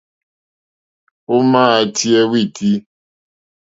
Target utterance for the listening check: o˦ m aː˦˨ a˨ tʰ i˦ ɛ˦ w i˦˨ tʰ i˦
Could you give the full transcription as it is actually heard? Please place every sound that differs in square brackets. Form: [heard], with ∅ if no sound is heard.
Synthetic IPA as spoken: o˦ m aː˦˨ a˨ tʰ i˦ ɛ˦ w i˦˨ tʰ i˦